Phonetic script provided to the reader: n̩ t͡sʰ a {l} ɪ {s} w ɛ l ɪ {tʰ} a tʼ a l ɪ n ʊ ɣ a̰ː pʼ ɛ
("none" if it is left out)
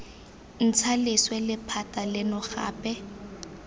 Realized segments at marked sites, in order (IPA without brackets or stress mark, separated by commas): l, s, pʰ